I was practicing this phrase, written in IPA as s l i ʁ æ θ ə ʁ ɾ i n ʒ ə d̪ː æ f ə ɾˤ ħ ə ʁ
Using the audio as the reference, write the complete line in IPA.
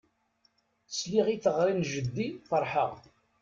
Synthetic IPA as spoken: s l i ʁ i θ ə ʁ ɾ i n ʒ ə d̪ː i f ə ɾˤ ħ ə ʁ